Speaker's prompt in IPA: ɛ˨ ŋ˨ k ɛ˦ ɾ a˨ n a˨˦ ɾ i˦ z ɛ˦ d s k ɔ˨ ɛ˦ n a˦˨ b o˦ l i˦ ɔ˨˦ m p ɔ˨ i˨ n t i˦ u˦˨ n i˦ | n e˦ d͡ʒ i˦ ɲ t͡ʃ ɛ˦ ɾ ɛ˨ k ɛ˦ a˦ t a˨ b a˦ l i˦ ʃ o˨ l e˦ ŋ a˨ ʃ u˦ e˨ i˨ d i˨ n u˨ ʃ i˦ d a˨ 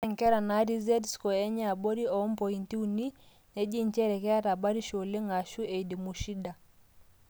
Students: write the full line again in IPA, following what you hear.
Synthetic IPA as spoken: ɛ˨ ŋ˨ k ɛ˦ ɾ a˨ n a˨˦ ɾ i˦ z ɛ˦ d s k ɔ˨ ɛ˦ ɲ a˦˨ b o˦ ɾ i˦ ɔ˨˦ m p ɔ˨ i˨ n t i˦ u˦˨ n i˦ | n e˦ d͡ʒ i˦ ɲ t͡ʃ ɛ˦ ɾ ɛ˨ k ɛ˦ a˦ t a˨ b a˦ ɾ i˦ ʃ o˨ l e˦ ŋ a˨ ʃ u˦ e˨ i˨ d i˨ m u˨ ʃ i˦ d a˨